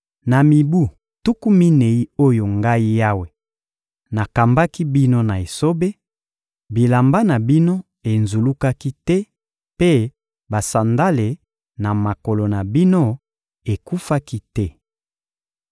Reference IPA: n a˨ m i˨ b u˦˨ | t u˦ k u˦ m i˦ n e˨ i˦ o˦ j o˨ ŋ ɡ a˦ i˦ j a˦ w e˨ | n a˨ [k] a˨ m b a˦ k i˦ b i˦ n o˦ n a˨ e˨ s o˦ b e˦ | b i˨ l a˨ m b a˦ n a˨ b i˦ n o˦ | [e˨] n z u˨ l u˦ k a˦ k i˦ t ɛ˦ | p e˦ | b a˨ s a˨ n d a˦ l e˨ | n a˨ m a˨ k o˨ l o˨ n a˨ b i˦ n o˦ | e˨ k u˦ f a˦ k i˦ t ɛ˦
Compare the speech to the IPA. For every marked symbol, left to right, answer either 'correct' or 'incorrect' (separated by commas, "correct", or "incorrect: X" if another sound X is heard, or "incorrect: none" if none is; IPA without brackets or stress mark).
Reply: correct, correct